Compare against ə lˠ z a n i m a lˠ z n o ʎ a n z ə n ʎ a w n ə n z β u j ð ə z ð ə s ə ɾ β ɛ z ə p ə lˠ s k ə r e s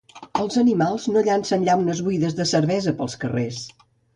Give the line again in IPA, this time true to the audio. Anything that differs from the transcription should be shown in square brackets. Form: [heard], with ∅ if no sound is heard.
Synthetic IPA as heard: ə lˠ z [ə] n i m a lˠ z n o ʎ a n [s] ə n ʎ a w n ə [∅] z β u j ð ə z ð ə s ə ɾ β ɛ z ə p ə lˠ s k ə r e s